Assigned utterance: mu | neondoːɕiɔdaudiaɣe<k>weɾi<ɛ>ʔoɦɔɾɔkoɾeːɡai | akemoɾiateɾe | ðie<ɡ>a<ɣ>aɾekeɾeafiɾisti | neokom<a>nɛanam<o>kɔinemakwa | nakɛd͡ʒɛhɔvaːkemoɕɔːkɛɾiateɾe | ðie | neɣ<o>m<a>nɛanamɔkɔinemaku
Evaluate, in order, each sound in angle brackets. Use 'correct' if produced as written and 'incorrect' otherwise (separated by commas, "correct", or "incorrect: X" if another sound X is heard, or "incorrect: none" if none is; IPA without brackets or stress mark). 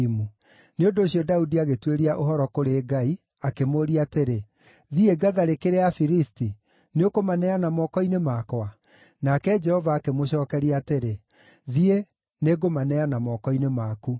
incorrect: t, incorrect: a, correct, incorrect: ð, correct, incorrect: ɔ, correct, correct